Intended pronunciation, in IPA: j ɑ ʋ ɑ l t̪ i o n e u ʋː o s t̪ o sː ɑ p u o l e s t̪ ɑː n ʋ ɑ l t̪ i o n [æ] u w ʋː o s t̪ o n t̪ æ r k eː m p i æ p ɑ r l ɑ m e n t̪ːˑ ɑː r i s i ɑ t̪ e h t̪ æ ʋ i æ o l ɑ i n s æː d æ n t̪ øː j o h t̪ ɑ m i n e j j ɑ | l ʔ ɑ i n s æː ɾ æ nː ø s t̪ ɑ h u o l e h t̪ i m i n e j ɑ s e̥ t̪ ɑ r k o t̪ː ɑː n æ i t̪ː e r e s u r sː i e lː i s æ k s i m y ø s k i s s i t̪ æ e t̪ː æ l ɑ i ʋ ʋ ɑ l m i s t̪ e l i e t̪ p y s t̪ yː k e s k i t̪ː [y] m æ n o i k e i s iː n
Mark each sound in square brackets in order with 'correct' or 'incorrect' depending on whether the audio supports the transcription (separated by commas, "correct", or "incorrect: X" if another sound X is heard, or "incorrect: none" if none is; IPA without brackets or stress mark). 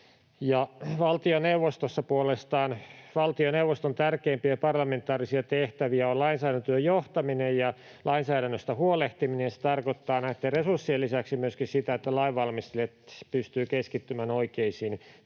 incorrect: e, correct